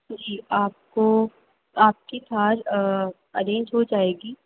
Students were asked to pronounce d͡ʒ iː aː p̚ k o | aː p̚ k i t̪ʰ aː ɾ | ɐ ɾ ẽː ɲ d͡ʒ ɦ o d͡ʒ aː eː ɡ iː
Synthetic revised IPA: d͡ʒ iː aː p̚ k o | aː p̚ k i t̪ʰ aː ɾ | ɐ ɾ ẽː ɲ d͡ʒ ɦ o d͡ʒ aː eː ɡ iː